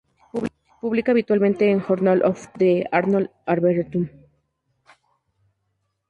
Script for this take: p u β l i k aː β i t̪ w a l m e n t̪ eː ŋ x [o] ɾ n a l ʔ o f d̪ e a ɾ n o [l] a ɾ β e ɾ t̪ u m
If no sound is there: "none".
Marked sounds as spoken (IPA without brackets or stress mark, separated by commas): o, l